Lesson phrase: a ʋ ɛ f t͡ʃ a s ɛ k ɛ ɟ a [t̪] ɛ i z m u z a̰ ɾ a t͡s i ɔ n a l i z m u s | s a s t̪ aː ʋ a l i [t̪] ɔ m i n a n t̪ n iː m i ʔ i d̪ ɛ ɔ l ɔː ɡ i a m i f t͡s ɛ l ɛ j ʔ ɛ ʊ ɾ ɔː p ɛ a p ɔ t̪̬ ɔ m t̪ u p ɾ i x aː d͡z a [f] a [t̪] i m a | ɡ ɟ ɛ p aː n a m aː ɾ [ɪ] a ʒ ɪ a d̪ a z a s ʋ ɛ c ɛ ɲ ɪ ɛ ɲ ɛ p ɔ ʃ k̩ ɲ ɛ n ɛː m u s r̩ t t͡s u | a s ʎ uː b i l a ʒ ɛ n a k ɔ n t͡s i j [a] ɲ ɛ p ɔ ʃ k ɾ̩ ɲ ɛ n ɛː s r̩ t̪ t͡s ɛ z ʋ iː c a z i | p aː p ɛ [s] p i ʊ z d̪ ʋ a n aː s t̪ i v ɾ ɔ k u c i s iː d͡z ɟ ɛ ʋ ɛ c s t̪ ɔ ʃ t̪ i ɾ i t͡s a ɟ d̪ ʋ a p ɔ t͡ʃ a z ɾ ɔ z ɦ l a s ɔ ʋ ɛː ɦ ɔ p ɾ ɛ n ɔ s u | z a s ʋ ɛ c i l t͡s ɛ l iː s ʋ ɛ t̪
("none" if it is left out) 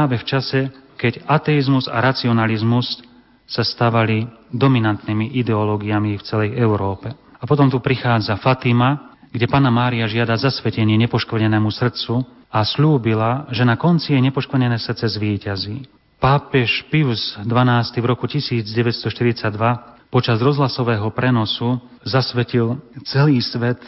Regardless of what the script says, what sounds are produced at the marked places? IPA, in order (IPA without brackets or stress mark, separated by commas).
t̪, d̪, f, t̪, i, ɛ, ʃ